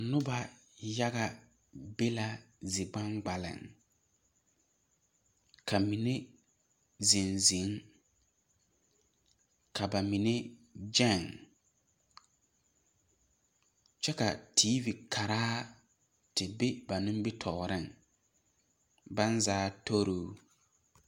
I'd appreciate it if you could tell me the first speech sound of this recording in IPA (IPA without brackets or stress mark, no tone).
n